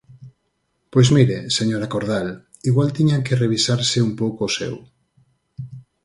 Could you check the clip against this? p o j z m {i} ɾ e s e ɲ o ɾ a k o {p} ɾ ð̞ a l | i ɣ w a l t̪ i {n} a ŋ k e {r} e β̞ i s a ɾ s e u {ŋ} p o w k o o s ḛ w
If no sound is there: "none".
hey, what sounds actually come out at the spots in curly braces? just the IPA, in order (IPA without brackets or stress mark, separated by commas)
i, none, ɲ, r, m